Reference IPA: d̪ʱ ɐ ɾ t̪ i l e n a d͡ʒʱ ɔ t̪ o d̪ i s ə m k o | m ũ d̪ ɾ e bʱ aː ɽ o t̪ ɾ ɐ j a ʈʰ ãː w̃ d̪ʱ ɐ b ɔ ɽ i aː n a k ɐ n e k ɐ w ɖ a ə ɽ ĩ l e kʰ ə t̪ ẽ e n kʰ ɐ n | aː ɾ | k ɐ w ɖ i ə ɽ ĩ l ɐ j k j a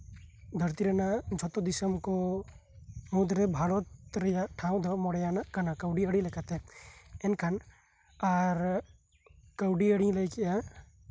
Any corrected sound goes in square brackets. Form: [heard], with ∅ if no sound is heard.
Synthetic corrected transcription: d̪ʱ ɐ ɾ t̪ i [ɾ] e n a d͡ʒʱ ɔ t̪ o d̪ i s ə m k o | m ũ d̪ ɾ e bʱ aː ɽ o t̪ ɾ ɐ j a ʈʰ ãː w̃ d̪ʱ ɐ [m] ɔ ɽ [j] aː n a k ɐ n [a] k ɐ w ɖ [i] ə ɽ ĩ l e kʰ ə t̪ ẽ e n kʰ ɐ n | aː ɾ | k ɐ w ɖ i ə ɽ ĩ l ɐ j k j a